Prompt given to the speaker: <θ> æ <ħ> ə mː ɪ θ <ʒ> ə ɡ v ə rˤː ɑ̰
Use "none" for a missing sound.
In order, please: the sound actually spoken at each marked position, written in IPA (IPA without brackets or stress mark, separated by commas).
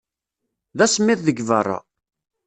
ð, s, ð